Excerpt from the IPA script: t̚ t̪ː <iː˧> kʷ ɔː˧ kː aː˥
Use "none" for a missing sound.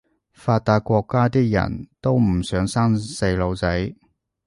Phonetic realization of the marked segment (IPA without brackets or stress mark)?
aː˧